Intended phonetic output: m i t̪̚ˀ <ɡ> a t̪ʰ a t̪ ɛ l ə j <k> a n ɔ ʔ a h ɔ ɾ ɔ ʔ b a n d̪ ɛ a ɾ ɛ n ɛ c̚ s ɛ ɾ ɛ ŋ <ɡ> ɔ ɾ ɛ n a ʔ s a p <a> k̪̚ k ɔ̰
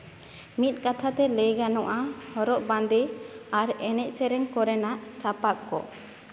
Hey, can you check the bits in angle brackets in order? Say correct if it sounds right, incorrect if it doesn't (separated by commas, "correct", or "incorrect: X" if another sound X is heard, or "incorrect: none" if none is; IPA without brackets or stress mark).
incorrect: k, incorrect: ɡ, incorrect: k, correct